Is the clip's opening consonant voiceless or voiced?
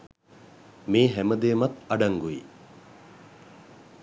voiced